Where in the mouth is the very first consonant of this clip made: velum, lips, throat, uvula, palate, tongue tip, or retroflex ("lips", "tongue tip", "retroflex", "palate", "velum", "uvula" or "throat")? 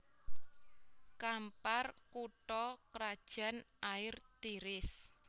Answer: velum